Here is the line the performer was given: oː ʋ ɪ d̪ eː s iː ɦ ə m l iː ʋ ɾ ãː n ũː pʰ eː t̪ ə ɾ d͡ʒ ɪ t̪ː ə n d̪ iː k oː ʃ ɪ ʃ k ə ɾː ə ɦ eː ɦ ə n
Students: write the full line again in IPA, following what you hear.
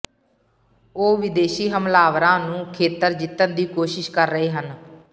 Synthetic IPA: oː ʋ ɪ d̪ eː ʃ iː ɦ ə m l aː ʋ ɾ ãː n ũː kʰ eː t̪ ə ɾ d͡ʒ ɪ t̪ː ə n d̪ iː k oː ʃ ɪ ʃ k ə ɾː ə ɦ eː ɦ ə n